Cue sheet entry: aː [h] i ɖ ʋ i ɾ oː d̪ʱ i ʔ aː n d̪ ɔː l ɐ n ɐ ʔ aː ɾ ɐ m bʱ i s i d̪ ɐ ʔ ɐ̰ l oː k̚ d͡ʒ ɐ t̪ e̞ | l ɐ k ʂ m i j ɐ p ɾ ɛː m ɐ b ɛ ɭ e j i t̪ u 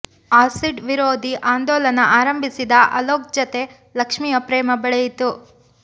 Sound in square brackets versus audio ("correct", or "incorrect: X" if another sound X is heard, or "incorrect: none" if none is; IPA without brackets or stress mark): incorrect: s